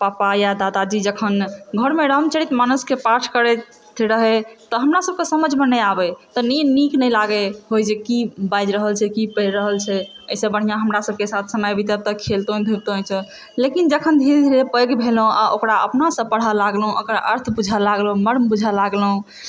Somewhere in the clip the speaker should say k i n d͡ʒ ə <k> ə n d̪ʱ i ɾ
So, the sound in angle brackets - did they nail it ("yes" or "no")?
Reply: no